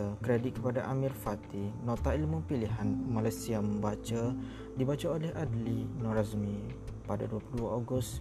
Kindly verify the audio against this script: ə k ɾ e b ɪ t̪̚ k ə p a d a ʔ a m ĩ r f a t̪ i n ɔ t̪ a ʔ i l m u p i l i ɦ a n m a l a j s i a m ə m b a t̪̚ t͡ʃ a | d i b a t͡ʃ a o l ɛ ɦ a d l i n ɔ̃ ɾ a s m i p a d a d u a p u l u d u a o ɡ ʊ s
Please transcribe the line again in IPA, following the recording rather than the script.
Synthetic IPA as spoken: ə k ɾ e d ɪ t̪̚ k ə p a d a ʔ a m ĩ r f a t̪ i n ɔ t̪ a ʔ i l m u p i l i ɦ a n m a l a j s i a m ə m b a t͡ʃ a | d i b a t͡ʃ a o l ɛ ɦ a d l i n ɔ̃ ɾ a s m i p a d a d u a p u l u d u a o ɡ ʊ s